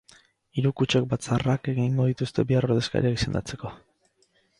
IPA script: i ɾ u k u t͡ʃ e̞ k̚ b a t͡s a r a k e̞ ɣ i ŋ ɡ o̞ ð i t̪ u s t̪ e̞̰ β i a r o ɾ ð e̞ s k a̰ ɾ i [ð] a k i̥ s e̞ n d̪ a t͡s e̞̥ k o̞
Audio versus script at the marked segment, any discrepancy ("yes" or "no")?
yes